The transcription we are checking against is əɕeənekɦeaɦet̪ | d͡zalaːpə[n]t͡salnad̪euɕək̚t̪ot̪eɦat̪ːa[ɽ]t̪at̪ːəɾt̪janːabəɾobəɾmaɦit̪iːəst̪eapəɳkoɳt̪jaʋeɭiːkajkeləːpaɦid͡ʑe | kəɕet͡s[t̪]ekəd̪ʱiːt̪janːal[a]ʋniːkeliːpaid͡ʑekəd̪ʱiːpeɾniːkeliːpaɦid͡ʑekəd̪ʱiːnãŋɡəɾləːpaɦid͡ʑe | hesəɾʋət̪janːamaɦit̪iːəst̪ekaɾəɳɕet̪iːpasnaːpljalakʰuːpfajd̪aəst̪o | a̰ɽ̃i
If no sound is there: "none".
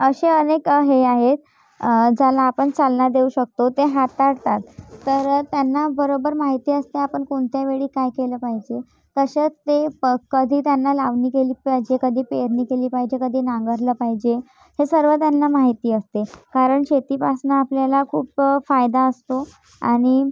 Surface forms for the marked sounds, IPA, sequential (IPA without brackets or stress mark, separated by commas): ɳ, ɽ, t̪, a